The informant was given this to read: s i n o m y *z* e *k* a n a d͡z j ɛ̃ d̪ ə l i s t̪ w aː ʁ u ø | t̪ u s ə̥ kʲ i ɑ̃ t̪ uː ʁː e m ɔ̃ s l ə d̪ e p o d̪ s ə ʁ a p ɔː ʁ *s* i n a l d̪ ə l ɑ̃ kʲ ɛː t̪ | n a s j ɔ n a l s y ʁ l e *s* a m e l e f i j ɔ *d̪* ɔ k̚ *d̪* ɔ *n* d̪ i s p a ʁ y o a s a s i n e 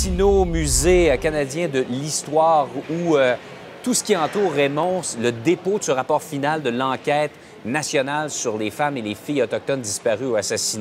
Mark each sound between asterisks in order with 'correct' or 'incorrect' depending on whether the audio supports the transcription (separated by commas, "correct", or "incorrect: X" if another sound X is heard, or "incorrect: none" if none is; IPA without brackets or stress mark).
correct, correct, incorrect: f, incorrect: f, incorrect: t̪, incorrect: t̪, correct